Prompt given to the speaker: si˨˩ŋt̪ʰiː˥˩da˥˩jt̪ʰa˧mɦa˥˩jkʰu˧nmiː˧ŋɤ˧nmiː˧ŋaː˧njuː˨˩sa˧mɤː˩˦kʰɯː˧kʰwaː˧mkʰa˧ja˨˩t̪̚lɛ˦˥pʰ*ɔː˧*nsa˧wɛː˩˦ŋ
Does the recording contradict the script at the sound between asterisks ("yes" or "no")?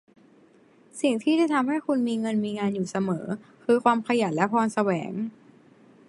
no